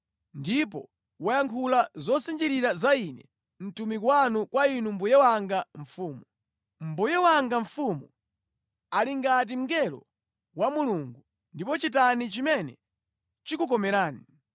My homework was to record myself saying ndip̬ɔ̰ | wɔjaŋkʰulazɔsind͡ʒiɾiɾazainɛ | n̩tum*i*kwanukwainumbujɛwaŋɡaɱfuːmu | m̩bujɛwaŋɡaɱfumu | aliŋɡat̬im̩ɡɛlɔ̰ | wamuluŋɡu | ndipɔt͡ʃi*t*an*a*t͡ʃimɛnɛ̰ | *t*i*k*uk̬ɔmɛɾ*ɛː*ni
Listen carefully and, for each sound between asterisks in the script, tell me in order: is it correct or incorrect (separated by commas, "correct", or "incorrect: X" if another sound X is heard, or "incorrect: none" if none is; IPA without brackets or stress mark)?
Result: correct, correct, incorrect: i, incorrect: t͡ʃ, correct, incorrect: aː